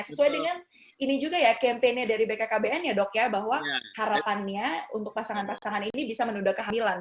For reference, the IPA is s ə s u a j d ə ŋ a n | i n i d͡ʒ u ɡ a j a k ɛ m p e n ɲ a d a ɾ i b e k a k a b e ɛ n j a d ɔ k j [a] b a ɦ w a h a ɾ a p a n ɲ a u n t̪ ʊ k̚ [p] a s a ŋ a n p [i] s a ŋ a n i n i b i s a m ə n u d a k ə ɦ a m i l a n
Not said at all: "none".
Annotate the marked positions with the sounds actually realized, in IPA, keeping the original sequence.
a, p, a

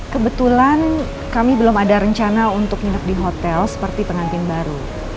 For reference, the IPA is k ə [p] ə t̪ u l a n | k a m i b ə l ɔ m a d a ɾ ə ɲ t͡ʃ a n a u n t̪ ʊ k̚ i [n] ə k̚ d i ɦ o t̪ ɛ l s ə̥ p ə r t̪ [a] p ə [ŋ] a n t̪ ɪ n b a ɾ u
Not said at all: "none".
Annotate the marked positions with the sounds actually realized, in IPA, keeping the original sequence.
b, n, i, ŋ

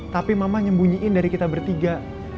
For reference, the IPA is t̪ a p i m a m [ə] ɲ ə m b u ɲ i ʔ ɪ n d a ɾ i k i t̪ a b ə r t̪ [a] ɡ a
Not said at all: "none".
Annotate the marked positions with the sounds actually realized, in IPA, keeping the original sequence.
a, i

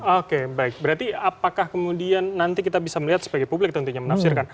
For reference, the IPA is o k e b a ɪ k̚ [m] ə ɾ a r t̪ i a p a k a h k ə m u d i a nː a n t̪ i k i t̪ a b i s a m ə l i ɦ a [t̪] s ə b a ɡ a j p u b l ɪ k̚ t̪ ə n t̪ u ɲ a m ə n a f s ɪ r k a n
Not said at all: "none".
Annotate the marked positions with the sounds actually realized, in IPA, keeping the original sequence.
b, t̪

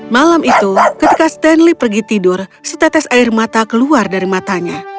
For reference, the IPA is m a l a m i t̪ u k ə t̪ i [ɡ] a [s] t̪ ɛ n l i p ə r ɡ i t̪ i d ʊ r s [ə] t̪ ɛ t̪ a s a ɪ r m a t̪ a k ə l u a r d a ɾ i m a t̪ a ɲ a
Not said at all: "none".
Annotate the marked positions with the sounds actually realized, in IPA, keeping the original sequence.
k, s, ə

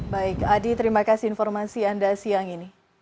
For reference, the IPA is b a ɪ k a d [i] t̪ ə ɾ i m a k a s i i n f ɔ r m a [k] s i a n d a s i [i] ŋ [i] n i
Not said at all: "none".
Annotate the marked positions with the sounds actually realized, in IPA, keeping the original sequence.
i, none, a, i

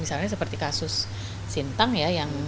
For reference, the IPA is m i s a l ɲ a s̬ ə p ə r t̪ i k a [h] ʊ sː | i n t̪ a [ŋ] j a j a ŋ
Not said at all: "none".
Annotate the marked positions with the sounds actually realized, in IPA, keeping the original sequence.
s, ŋ

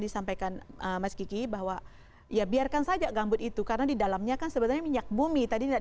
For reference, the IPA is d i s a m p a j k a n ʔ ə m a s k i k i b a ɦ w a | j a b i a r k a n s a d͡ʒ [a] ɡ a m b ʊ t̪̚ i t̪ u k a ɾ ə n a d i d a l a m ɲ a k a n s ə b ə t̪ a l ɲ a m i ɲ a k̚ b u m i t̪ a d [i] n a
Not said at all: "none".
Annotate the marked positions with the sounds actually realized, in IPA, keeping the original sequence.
a, i

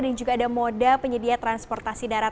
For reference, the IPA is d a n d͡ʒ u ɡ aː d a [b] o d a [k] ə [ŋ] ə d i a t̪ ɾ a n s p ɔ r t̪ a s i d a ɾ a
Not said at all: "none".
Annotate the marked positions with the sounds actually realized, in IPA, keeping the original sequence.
m, p, ɲ

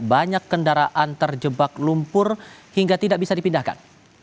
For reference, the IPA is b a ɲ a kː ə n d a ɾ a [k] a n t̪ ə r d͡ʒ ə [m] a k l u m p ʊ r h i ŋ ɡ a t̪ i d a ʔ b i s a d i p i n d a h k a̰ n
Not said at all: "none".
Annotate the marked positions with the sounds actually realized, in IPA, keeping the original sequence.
ʔ, b

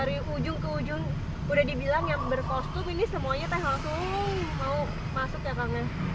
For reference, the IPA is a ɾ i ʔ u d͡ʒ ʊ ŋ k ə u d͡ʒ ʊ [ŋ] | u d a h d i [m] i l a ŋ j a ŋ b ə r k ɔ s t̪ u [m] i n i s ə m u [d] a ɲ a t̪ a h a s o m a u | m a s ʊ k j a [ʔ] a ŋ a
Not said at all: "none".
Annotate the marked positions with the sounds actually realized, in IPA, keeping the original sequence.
ŋ, b, m, none, k

